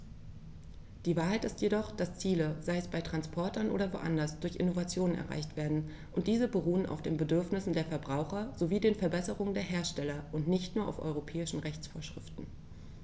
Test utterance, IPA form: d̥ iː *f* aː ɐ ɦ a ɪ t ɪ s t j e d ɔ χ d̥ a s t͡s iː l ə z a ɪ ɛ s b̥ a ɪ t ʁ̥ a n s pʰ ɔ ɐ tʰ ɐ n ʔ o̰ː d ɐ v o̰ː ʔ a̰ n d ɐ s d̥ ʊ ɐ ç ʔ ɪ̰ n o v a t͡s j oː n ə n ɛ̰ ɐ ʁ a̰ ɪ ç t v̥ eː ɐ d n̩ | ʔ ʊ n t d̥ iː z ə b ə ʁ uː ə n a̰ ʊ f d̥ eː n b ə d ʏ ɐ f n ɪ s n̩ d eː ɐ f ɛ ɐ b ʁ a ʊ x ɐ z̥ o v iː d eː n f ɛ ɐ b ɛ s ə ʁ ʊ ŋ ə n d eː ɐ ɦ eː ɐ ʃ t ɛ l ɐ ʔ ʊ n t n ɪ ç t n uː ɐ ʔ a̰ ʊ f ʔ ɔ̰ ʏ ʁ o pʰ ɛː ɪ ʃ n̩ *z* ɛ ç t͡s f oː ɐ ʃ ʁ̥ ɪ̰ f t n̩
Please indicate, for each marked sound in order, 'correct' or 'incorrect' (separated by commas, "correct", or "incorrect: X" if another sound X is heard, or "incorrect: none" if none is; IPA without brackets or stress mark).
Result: incorrect: v, incorrect: ʁ